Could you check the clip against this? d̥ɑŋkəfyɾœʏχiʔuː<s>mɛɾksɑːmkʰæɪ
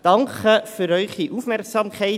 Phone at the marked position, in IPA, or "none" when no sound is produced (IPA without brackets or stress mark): f